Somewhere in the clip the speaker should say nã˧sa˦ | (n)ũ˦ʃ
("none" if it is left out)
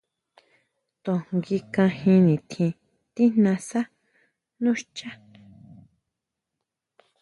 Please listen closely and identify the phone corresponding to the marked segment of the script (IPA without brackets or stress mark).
n